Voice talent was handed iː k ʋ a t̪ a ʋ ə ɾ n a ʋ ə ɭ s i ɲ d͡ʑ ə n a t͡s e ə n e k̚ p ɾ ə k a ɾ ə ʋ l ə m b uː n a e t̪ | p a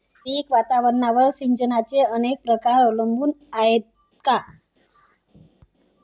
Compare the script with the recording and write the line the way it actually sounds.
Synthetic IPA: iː k ʋ a t̪ a ʋ ə ɾ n a ʋ ə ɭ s i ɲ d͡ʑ ə n a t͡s e ə n e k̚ p ɾ ə k a ɾ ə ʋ l ə m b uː n a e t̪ | k a